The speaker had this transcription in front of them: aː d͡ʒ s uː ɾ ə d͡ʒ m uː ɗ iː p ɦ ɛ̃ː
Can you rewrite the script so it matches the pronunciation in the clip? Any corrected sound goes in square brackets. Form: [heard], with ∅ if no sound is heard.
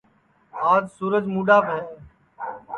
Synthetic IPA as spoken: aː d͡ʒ s uː ɾ ə d͡ʒ m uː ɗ [aː] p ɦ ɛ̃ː